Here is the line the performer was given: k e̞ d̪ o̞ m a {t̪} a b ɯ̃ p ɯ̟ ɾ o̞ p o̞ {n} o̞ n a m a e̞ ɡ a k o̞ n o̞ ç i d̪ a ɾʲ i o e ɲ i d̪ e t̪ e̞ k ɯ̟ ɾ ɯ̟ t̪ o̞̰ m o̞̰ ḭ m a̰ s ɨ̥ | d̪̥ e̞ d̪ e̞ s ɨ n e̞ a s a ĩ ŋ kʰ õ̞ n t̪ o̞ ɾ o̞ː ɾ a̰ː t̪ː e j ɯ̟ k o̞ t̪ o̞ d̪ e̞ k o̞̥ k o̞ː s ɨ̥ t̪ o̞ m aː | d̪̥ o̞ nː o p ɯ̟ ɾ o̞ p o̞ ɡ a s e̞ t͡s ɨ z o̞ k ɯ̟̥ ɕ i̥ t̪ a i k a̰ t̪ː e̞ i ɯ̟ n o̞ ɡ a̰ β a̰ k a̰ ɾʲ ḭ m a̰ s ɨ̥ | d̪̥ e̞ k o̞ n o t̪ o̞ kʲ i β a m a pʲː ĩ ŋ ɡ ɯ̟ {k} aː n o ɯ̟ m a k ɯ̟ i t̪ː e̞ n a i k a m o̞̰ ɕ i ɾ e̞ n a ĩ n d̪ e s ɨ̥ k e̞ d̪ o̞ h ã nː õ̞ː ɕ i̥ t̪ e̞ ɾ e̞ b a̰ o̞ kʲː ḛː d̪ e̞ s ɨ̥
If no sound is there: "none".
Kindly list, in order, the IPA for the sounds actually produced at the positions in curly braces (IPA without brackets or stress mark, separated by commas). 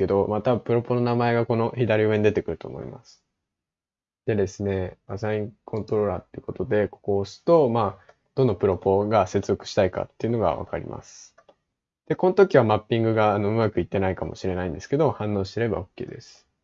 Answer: t̪, n, ɡ